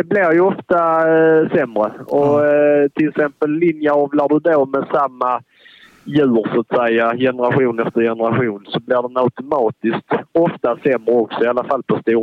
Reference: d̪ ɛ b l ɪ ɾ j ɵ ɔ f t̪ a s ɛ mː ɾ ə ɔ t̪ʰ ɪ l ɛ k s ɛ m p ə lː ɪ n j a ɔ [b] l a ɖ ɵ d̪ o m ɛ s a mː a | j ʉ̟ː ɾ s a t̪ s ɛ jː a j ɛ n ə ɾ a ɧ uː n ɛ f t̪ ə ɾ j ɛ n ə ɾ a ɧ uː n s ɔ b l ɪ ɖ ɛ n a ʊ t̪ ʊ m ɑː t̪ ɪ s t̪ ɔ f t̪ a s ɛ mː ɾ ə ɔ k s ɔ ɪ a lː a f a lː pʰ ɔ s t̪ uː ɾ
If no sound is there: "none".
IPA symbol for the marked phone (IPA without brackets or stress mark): v